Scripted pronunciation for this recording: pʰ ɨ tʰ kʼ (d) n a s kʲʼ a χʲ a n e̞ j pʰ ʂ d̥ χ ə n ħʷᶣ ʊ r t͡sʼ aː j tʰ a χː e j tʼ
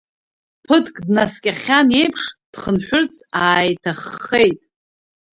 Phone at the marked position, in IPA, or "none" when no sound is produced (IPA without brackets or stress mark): d